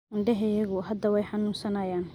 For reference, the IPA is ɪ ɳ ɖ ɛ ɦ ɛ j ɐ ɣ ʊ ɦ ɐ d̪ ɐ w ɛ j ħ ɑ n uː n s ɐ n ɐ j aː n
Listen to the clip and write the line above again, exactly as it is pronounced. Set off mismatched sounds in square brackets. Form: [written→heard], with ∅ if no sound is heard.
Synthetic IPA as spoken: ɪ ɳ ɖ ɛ ɦ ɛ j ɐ ɣ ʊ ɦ ɐ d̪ ɐ w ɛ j ħ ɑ n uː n s ɐ n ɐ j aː n